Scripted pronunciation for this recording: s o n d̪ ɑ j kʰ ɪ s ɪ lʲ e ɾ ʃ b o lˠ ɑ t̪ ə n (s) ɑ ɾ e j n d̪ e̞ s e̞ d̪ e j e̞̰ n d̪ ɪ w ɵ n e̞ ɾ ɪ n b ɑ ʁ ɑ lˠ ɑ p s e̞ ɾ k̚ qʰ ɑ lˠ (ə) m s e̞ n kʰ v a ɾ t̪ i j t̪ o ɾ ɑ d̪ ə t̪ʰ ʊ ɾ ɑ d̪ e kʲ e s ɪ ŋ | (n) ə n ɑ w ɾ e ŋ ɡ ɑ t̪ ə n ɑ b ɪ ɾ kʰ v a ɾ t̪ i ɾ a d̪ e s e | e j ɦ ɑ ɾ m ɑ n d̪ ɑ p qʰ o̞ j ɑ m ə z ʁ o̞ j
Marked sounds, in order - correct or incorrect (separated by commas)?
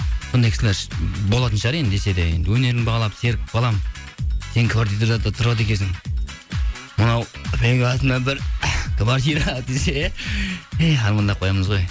incorrect, incorrect, incorrect